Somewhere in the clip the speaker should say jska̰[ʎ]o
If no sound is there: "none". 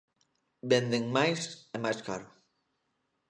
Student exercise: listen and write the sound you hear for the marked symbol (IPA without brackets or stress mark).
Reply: ɾ